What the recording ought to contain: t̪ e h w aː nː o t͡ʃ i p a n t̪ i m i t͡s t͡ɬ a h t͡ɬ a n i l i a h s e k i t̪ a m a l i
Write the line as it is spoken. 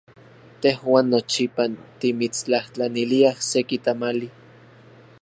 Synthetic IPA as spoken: t̪ e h w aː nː o t͡ʃ i p a n t̪ i m i t͡s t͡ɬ a h t͡ɬ a n i l i a h s e k i t̪ a m a l i